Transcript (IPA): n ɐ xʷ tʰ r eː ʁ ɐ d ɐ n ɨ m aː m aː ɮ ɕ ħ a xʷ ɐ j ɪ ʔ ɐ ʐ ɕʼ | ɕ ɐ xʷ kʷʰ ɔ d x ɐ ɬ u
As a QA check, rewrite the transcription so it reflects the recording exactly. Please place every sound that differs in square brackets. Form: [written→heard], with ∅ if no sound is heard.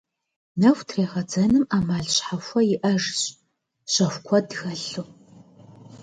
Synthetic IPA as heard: n ɐ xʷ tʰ r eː ʁ ɐ [d→d͡z] ɐ n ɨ m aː m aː ɮ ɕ ħ a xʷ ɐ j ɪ ʔ ɐ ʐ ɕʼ | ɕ ɐ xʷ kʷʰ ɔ d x ɐ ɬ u